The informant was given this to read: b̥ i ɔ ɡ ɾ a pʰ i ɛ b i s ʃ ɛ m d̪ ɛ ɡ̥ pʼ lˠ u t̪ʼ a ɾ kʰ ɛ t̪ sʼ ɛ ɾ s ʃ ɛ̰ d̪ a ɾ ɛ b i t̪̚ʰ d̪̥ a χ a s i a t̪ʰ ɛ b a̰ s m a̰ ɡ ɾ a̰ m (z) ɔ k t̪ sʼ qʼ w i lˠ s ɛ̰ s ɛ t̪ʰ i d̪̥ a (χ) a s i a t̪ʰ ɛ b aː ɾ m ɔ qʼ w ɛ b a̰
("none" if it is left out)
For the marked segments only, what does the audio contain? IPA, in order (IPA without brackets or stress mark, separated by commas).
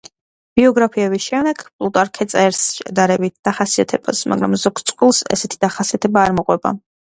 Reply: z, χ